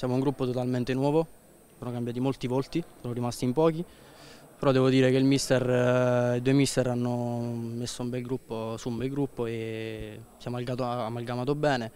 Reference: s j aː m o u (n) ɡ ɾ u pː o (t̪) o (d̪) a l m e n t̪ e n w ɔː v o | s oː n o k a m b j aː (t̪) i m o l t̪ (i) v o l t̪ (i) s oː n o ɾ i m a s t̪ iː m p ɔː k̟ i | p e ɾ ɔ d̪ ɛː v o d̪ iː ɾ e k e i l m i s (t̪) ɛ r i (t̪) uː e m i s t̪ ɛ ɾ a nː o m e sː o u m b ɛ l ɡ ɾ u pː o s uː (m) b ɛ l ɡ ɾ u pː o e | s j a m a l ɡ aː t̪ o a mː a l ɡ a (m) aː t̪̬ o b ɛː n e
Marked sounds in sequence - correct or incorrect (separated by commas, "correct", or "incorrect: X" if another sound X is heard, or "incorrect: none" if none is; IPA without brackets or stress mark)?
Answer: incorrect: ŋ, correct, incorrect: t̪, correct, correct, correct, correct, incorrect: d̪, correct, correct